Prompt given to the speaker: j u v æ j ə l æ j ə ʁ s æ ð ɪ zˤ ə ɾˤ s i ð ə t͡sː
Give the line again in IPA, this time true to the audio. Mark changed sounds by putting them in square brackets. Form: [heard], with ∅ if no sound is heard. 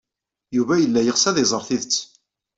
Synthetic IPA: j u v æ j ə [lː] æ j ə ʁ s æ ð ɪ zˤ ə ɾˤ [θ] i ð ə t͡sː